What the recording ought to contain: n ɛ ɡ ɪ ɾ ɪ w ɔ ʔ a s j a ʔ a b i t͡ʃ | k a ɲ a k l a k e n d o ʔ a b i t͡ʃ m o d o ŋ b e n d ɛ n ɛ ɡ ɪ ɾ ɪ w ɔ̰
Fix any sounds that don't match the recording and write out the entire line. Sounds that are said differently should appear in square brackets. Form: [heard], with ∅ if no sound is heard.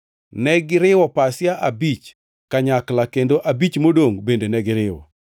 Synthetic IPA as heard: n ɛ ɡ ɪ ɾ ɪ w ɔ [p] a s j a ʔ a b i t͡ʃ | k a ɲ a k l a k e n d o ʔ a b i t͡ʃ m o d o ŋ b e n d [e] n ɛ ɡ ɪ ɾ ɪ w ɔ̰